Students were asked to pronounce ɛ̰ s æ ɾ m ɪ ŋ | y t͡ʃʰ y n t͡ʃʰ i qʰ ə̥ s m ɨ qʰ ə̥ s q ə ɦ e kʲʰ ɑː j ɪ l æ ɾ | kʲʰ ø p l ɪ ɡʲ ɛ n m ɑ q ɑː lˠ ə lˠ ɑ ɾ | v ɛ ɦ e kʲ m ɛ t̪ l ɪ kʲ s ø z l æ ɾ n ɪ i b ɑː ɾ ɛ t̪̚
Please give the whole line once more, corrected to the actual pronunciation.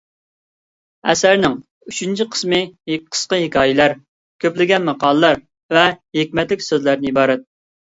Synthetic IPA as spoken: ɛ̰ s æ ɾ n ɪ ŋ | y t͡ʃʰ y n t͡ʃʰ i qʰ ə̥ s m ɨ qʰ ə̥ s q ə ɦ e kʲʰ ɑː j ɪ l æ ɾ | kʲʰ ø p l ɪ ɡʲ ɛ n m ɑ q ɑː lˠ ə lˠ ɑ ɾ | v ɛ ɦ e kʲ m ɛ t̪ l ɪ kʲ s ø z l æ ɾ n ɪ i b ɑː ɾ ɛ t̪̚